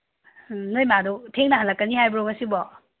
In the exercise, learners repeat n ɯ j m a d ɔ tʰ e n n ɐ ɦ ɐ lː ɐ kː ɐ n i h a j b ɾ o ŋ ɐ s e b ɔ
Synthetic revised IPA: n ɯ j m a d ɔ tʰ e ŋ n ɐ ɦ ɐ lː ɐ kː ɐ n i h a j b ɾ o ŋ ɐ s i b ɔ